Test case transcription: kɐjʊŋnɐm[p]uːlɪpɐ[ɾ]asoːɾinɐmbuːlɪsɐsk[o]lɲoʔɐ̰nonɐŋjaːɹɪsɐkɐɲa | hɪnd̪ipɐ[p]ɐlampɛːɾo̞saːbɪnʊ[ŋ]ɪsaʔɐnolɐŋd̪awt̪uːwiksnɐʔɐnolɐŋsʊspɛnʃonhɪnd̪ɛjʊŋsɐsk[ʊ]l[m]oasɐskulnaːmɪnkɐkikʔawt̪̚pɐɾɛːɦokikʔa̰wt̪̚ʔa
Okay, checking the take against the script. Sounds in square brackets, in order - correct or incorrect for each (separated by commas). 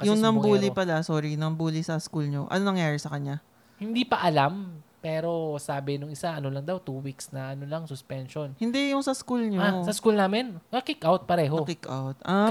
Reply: incorrect, incorrect, incorrect, incorrect, correct, incorrect, incorrect